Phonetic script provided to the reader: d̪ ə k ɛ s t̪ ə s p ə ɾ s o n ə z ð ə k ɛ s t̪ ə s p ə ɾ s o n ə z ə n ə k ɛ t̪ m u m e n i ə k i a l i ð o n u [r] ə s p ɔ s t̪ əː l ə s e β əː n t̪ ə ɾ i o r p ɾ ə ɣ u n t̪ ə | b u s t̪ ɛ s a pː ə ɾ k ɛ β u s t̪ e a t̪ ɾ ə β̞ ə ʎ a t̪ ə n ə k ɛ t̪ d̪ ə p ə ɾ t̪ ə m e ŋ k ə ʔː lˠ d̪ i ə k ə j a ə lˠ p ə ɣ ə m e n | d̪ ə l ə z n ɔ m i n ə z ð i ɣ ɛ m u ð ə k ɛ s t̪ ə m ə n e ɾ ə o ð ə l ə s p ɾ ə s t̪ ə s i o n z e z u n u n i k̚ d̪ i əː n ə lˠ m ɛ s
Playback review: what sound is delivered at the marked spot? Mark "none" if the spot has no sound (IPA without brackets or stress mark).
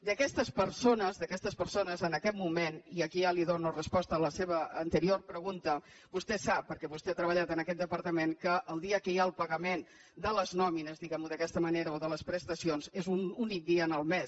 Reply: r